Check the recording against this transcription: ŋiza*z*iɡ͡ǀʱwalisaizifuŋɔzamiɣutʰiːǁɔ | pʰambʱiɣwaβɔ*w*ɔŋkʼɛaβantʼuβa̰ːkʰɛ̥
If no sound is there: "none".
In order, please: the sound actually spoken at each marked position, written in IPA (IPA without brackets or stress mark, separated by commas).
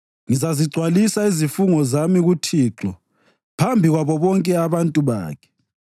z, β